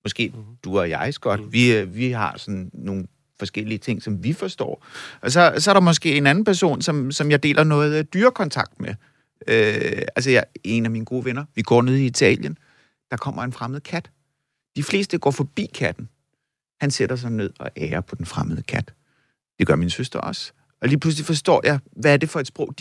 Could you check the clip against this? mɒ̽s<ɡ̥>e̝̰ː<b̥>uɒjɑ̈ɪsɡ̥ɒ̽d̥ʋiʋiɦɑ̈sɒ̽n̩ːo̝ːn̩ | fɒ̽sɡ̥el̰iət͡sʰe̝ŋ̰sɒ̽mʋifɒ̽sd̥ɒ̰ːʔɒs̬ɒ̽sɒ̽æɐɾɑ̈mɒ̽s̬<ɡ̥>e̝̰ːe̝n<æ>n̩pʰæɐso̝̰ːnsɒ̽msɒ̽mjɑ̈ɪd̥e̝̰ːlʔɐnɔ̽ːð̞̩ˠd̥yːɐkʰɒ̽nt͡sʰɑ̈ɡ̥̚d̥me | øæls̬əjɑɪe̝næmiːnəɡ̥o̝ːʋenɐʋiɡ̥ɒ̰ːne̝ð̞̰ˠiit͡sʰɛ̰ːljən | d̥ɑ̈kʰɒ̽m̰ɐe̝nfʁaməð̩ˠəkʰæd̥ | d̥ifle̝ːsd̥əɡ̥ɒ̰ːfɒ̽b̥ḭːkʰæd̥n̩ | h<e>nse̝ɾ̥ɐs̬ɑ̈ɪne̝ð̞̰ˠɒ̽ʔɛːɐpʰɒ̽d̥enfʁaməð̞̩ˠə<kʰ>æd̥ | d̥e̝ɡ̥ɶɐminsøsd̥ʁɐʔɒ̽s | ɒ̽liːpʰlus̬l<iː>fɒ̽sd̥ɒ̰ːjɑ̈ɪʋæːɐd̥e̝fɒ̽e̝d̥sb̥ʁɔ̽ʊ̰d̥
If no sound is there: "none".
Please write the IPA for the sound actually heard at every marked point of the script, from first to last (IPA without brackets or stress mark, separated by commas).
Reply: ɡ̥, d̥, ɡ̥, æ, æ, kʰ, i